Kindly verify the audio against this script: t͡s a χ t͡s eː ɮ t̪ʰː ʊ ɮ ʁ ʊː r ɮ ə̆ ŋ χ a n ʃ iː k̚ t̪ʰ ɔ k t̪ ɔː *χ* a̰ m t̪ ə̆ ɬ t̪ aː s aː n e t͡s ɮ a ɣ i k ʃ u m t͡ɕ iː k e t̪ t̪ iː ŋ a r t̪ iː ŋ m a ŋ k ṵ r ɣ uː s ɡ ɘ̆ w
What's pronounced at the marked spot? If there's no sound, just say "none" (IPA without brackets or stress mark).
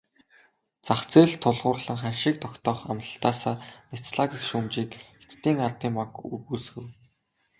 χ